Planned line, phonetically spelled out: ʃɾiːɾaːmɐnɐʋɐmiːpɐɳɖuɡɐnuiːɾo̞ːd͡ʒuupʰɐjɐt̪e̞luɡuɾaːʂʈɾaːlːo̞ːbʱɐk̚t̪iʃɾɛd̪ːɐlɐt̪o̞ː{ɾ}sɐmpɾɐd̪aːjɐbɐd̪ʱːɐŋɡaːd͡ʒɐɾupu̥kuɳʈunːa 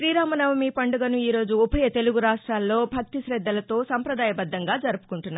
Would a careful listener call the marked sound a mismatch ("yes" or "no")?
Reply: yes